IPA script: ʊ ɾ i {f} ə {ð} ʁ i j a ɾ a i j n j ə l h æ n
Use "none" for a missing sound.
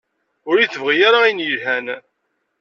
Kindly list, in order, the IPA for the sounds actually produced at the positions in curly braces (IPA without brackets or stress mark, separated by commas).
θ, v